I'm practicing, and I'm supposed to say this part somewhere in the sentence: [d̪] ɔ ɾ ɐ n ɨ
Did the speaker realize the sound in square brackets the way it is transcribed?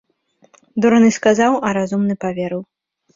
yes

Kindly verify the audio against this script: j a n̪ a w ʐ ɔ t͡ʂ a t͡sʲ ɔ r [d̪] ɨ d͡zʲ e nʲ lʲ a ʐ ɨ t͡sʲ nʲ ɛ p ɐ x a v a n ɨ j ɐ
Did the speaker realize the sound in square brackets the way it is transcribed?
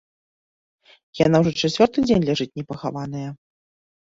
no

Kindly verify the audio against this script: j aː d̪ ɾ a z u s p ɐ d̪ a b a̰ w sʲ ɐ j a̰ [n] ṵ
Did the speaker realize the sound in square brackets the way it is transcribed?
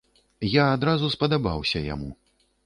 no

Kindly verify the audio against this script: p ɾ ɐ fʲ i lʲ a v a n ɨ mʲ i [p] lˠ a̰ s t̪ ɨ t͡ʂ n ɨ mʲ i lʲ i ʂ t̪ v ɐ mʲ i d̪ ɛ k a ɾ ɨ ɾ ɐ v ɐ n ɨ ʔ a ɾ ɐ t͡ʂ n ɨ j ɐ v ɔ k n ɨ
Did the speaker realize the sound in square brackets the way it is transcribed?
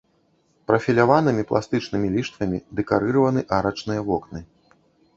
yes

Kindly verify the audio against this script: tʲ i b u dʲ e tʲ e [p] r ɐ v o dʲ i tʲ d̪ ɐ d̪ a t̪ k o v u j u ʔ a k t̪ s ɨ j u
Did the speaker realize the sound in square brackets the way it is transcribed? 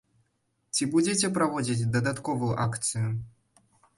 yes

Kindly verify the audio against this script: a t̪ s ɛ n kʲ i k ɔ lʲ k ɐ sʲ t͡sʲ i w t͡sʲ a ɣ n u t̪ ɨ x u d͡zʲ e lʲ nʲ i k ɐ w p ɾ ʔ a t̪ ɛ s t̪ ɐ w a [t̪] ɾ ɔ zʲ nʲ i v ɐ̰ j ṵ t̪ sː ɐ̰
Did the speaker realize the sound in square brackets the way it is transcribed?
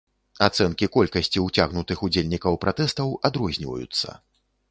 no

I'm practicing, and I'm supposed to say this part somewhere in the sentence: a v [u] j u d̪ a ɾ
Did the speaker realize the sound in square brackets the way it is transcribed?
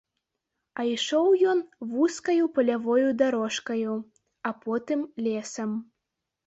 no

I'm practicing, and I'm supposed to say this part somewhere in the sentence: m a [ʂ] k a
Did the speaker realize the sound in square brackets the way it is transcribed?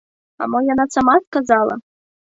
no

